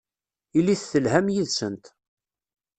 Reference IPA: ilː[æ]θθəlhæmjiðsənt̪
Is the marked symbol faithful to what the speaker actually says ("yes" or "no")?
no